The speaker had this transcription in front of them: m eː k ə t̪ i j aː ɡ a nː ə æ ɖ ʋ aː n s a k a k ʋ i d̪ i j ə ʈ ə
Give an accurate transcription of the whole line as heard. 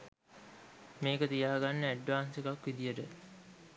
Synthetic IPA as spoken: m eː k ə t̪ i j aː ɡ a nː ə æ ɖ ʋ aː n s e k a k ʋ i d̪ i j ə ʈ ə